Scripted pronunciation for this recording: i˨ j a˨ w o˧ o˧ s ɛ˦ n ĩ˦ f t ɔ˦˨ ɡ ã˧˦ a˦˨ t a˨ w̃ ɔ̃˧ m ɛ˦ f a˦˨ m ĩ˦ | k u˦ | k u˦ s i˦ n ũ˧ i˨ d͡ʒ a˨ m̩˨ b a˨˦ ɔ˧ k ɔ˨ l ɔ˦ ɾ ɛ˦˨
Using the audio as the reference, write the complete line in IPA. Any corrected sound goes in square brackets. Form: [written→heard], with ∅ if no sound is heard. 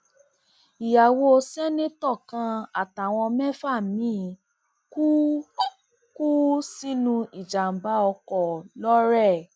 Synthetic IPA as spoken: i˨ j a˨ w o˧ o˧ s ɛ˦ n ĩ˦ [f→∅] t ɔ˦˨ [ɡ→k] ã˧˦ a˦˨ t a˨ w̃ ɔ̃˧ m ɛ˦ f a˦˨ m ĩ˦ | k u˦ | k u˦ s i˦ n ũ˧ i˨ d͡ʒ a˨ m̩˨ b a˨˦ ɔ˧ k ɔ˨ l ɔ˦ ɾ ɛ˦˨